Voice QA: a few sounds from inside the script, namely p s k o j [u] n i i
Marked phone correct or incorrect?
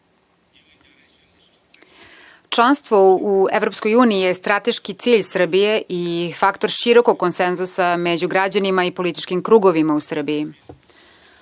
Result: incorrect